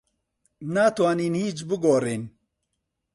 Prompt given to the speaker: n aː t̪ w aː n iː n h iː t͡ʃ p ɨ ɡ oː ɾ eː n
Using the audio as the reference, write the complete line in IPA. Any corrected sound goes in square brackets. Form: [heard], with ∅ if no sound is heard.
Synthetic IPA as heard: n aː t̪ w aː n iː n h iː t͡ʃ [b] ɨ ɡ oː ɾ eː n